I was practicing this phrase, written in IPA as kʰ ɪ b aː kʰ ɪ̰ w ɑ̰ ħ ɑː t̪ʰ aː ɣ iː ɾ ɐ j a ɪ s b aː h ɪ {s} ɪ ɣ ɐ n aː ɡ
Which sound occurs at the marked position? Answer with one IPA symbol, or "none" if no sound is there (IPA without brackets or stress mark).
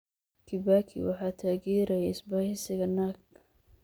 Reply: s